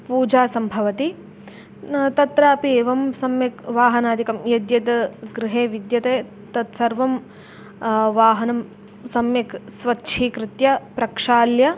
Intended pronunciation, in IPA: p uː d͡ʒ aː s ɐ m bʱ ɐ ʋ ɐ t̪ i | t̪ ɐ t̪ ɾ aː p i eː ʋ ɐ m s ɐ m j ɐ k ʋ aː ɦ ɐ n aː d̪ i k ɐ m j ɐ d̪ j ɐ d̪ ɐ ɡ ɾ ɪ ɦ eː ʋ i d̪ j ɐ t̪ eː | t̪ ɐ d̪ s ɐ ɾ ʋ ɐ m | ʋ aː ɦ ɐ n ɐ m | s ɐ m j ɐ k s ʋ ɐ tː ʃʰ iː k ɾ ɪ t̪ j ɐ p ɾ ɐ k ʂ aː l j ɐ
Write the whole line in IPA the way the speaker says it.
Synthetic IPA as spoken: p uː d͡ʒ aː s ɐ m bʱ ɐ ʋ ɐ t̪ i | t̪ ɐ t̪ ɾ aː p i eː ʋ ɐ m s ɐ m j ɐ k ʋ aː ɦ ɐ n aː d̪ i k ɐ m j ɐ d̪ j ɐ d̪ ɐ ɡ ɾ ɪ ɦ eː ʋ i d̪ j ɐ t̪ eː | t̪ ɐ t̪ s ɐ ɾ ʋ ɐ m | ʋ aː ɦ ɐ n ɐ m | s ɐ m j ɐ k s ʋ ɐ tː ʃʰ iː k ɾ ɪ t̪ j ɐ p ɾ ɐ k ʂ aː l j ɐ